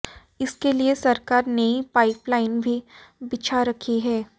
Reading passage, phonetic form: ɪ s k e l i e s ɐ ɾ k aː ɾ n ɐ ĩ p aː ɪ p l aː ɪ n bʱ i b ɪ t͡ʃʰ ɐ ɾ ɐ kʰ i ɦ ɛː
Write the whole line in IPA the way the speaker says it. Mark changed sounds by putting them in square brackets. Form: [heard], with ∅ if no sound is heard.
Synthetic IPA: ɪ s k e l i e s ɐ ɾ k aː ɾ n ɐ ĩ p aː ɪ p l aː ɪ n bʱ i b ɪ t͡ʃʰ [a] ɾ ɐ kʰ i ɦ ɛː

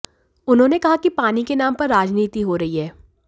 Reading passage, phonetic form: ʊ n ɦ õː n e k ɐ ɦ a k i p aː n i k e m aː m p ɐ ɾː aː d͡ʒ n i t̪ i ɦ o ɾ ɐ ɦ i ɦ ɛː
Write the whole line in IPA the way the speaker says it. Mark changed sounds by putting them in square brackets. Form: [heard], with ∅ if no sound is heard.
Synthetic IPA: ʊ n ɦ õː n e k ɐ ɦ a k i p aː n i k e [n] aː m p ɐ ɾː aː d͡ʒ n [iː] t̪ i ɦ o ɾ ɐ ɦ i ɦ ɛː

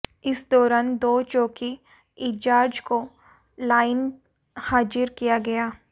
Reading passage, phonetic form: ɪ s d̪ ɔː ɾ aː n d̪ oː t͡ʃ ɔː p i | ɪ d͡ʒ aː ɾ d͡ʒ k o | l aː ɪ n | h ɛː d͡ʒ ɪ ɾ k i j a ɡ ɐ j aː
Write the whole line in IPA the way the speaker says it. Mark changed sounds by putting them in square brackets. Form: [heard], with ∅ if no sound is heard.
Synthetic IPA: ɪ s d̪ ɔː ɾ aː n d̪ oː t͡ʃ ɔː [k] i | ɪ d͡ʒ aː ɾ d͡ʒ k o | l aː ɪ n | h [aː] d͡ʒ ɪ ɾ k i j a ɡ ɐ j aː

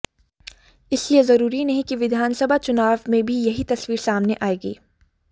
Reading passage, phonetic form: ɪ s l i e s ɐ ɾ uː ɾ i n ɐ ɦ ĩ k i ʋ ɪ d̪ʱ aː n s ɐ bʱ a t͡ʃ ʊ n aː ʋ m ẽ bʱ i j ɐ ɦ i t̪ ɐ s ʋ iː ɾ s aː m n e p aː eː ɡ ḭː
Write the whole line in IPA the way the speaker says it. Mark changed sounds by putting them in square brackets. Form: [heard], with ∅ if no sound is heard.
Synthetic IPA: ɪ s l i e [z] ɐ ɾ uː ɾ i n ɐ ɦ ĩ k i ʋ ɪ d̪ʱ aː n s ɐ bʱ a t͡ʃ ʊ n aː ʋ m ẽ bʱ i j ɐ ɦ i t̪ ɐ s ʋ iː ɾ s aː m n e [ʔ] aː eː ɡ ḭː

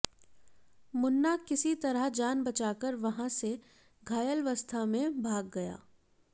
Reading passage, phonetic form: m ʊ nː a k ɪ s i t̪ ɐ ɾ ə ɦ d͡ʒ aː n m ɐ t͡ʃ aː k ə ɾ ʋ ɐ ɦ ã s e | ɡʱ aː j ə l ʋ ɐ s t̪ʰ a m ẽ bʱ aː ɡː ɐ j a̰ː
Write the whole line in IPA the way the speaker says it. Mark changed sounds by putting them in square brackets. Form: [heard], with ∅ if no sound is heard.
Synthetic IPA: m ʊ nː a k ɪ s i t̪ ɐ ɾ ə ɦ d͡ʒ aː n [b] ɐ t͡ʃ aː k ə ɾ ʋ ɐ ɦ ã s e | ɡʱ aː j ə l ʋ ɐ s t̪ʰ a m ẽ bʱ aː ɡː ɐ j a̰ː

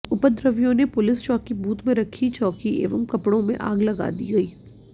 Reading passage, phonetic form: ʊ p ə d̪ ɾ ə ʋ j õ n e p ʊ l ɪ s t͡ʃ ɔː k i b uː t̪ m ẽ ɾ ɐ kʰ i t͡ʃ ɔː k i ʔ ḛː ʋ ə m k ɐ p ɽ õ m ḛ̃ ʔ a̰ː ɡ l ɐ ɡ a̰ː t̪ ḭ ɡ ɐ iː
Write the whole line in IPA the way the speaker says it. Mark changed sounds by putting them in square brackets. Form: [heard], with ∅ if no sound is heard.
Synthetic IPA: ʊ p ə d̪ ɾ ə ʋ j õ n e p ʊ l ɪ s t͡ʃ ɔː k i b uː t̪ m ẽ ɾ ɐ kʰ i t͡ʃ ɔː k i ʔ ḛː ʋ ə m k ɐ p ɽ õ m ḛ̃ ʔ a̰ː ɡ l ɐ ɡ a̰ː [d̪] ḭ ɡ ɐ iː

